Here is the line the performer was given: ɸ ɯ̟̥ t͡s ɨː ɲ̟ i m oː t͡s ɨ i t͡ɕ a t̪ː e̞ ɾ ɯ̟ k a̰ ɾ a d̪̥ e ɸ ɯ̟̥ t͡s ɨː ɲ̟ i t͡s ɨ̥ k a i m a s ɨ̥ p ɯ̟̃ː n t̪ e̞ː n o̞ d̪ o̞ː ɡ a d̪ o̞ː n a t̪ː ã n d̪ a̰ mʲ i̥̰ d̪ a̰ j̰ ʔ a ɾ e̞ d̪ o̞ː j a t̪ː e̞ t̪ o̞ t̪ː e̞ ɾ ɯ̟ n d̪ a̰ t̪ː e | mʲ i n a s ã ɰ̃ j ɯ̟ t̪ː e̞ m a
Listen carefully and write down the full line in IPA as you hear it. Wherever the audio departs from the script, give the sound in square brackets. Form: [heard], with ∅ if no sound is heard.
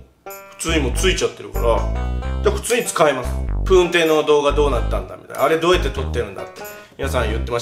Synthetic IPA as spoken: ɸ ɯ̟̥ t͡s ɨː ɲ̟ i m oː t͡s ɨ i t͡ɕ a t̪ː e̞ ɾ ɯ̟ k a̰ ɾ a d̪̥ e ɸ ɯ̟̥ t͡s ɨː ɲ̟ i t͡s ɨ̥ k a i m a s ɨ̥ p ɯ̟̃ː n t̪ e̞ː n o̞ d̪ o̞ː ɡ a d̪ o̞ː n a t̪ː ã n d̪ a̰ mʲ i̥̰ [t̪] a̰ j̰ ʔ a ɾ e̞ d̪ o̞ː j a t̪ː e̞ t̪ o̞ t̪ː e̞ ɾ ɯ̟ n d̪ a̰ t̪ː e | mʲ i n a s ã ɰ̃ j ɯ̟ t̪ː e̞ m a